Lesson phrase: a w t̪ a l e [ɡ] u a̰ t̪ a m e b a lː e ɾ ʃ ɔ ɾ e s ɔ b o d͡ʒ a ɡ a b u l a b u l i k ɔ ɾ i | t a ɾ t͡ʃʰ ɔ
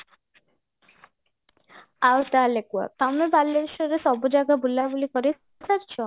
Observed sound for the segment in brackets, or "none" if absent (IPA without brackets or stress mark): k